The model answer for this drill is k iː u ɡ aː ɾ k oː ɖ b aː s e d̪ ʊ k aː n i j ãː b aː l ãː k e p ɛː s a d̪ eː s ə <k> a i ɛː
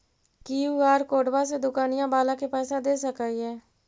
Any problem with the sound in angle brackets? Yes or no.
no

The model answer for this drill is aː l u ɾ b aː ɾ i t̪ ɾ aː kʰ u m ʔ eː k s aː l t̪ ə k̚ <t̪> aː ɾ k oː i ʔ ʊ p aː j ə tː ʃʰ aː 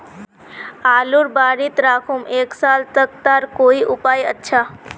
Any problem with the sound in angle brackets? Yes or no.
no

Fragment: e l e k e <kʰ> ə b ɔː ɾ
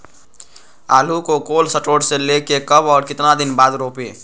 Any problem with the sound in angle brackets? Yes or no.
yes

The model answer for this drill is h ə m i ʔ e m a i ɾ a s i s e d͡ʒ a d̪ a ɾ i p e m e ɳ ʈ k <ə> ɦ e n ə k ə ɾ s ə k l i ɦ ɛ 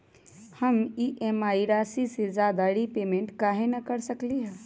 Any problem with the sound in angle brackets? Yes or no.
yes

